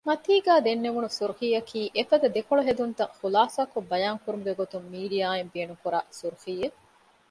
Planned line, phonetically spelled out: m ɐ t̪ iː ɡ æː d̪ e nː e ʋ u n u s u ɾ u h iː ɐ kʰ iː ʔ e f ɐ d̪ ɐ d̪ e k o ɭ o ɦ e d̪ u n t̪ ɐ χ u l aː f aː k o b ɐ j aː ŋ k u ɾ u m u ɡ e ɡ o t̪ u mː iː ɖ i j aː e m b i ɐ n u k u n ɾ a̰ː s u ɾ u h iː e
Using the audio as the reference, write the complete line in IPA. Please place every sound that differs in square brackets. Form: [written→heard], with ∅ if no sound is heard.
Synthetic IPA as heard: m ɐ t̪ iː ɡ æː d̪ e nː e ʋ u n u s u ɾ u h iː ɐ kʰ iː ʔ e f ɐ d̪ ɐ d̪ e k o ɭ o ɦ e d̪ u n t̪ ɐ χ u l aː [f→s] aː k o b ɐ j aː ŋ k u ɾ u m u ɡ e ɡ o t̪ u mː iː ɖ i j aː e m b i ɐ n u k u [n→∅] ɾ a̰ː s u ɾ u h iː e

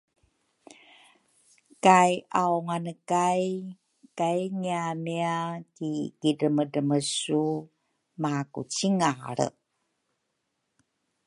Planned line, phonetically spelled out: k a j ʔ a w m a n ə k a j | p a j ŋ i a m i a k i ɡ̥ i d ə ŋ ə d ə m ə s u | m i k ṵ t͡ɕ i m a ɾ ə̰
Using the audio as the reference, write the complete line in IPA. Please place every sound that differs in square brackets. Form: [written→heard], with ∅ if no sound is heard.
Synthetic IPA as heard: k a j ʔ a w [m→ŋ] a n ə k a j | [p→k] a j ŋ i a m i a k i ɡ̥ i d ə [ŋ→m] ə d ə m ə s u | m [i→a] k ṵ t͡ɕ i [m→ŋ] a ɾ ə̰

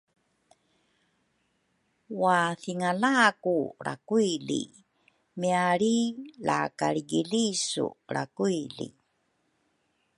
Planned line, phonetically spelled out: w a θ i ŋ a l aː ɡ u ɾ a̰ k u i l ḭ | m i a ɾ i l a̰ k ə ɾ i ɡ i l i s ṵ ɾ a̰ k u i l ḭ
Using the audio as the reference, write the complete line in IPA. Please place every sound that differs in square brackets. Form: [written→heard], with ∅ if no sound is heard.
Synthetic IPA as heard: w a θ i ŋ a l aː [ɡ→k] u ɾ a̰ k u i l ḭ | m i a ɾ i l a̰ k [ə→a] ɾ i ɡ i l i s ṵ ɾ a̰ k u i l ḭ

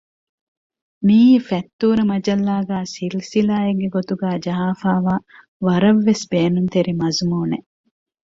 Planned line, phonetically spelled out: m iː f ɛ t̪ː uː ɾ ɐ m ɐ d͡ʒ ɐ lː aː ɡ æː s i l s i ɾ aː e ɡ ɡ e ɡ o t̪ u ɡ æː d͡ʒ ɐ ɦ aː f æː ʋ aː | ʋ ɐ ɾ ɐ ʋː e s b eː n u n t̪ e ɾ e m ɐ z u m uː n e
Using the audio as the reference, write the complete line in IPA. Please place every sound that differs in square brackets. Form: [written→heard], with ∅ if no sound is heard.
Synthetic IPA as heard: m iː f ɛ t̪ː uː ɾ ɐ m ɐ d͡ʒ ɐ lː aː ɡ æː s i l s i [ɾ→l] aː e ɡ ɡ e ɡ o t̪ u ɡ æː d͡ʒ ɐ ɦ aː f [æː→aː] ʋ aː | ʋ ɐ ɾ ɐ ʋː e s b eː n u n t̪ e ɾ [e→i] m ɐ z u m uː n e

